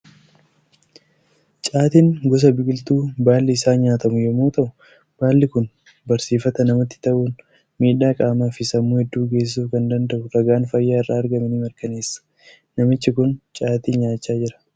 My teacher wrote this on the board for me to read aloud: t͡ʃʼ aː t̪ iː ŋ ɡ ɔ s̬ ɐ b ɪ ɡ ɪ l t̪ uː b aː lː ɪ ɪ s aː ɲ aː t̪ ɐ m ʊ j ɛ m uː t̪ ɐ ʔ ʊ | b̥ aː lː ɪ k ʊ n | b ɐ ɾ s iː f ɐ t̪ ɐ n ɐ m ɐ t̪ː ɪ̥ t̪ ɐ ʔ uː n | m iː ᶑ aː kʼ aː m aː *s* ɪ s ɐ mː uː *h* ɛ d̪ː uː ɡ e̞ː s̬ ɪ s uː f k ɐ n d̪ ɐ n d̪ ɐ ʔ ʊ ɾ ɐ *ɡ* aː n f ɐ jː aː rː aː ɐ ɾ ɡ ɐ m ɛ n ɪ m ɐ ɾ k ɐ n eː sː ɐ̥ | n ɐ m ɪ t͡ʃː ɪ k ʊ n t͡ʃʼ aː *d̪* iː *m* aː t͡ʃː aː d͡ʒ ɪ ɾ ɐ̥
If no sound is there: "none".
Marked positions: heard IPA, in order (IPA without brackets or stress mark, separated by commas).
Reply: f, h, ɡ, t̪, ɲ